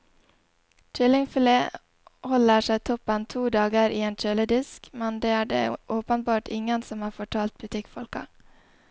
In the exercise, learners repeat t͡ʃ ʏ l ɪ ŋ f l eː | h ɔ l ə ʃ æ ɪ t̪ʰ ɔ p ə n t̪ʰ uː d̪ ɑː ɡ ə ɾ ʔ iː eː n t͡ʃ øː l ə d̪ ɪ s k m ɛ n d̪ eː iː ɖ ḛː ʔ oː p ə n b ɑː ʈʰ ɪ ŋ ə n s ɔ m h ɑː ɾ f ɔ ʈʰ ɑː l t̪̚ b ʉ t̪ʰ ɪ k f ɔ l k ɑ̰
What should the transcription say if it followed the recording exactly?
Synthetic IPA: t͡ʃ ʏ l ɪ ŋ f l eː | h ɔ l ə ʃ æ ɪ t̪ʰ ɔ p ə n t̪ʰ uː d̪ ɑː ɡ ə ɾ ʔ iː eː n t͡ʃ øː l ə d̪ ɪ s k m ɛ n d̪ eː æː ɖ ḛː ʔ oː p ə n b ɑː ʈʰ ɪ ŋ ə n s ɔ m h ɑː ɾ f ɔ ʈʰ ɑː l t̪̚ b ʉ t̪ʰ ɪ k f ɔ l k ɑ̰